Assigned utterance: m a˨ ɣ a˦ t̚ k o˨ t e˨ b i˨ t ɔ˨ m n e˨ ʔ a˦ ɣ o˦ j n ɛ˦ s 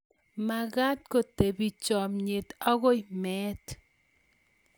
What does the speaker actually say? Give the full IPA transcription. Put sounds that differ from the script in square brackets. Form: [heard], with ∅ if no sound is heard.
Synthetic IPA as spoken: m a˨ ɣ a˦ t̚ k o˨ t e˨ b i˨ [t͡ʃ] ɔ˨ m [ɲ] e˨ [t] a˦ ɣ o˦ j [m] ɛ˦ [t]